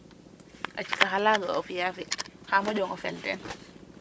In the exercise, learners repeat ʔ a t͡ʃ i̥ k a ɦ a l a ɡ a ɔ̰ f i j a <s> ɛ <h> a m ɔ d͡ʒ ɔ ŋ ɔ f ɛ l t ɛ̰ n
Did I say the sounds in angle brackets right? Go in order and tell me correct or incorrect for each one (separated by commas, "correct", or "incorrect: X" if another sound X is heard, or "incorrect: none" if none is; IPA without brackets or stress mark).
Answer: incorrect: f, correct